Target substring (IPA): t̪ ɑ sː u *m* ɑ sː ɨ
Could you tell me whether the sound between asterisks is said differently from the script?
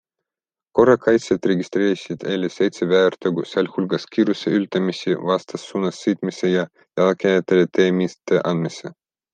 yes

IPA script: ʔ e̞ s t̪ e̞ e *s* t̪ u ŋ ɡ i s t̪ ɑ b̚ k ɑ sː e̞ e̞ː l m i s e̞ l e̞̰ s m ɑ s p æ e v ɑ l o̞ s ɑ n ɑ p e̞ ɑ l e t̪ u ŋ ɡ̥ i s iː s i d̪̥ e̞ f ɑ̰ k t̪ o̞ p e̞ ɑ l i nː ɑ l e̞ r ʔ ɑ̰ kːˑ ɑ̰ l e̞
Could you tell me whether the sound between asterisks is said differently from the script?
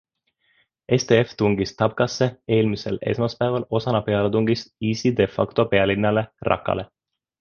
yes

